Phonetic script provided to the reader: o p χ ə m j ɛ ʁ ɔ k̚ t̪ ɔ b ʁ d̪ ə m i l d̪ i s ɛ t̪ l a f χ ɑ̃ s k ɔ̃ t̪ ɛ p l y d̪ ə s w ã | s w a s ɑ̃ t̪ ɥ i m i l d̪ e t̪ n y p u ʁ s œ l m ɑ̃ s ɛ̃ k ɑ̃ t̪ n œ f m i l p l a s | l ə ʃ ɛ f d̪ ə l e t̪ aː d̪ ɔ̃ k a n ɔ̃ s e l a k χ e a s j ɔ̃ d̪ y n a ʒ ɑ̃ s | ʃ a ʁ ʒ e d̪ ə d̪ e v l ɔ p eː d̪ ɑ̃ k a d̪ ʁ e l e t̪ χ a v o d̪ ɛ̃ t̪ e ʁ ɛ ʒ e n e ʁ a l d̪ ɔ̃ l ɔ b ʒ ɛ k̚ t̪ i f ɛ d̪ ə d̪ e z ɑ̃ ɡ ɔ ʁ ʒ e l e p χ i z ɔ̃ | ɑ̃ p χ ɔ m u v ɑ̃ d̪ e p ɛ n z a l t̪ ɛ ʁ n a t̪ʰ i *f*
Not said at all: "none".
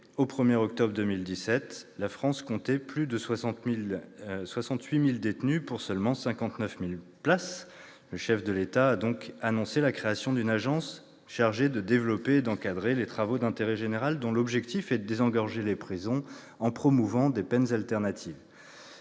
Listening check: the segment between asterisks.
v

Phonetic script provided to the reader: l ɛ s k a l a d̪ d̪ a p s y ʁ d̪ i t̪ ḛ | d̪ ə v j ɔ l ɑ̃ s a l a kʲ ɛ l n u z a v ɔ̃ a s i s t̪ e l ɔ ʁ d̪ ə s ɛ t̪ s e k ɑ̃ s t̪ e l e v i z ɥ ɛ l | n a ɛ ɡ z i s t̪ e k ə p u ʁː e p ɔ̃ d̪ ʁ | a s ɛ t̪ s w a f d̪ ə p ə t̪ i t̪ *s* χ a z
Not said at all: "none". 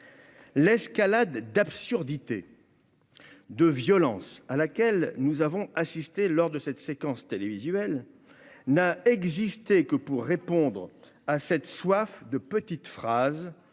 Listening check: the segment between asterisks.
f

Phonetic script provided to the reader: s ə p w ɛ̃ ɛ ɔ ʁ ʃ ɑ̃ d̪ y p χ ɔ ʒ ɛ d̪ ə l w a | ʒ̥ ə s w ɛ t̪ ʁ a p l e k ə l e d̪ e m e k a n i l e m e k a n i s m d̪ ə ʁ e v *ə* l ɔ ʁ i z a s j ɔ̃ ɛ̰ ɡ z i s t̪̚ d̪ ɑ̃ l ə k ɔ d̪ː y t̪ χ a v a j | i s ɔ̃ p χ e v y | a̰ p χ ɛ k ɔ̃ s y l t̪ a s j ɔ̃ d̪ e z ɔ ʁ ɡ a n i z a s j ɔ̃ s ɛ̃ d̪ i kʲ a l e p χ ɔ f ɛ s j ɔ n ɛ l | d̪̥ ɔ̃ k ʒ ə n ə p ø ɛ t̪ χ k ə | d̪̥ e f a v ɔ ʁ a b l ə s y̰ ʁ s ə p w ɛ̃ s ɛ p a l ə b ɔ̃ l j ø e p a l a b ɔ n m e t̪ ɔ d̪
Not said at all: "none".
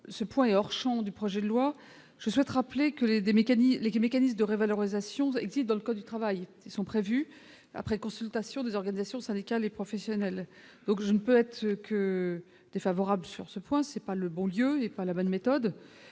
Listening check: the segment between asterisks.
a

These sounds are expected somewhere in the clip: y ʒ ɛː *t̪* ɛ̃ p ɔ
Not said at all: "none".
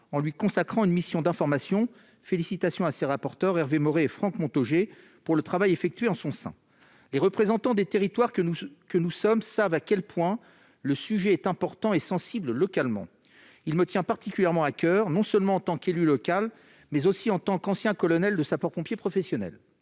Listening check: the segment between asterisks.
t̪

